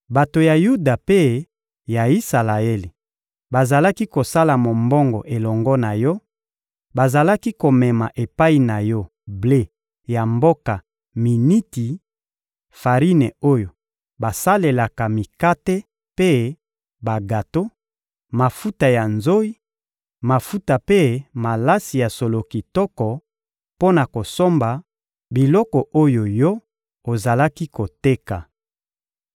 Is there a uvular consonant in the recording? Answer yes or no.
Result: yes